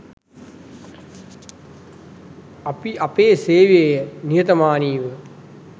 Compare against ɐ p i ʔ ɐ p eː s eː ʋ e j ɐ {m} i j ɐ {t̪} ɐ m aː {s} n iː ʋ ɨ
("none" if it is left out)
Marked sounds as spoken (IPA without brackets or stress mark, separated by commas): n, t̪, none